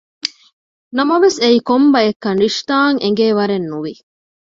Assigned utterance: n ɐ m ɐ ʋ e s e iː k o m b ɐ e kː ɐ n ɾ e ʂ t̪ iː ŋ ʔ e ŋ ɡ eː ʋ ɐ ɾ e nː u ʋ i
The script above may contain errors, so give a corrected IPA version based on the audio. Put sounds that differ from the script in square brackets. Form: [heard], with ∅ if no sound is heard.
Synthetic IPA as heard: n ɐ m ɐ ʋ e s e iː k o m b ɐ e kː ɐ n ɾ [i] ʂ t̪ [aː] ŋ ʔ e ŋ ɡ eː ʋ ɐ ɾ e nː u ʋ i